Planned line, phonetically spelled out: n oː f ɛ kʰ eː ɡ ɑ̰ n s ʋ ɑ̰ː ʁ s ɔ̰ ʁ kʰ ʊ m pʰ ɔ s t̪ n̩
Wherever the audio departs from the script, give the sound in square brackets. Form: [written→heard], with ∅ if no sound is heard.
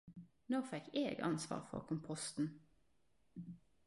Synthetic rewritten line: n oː f ɛ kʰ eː ɡ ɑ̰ n s ʋ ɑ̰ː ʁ [s→f] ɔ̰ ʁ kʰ ʊ m pʰ ɔ s t̪ n̩